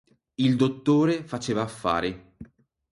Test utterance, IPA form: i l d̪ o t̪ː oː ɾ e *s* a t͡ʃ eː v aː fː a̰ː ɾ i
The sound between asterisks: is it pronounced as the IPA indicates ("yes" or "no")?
no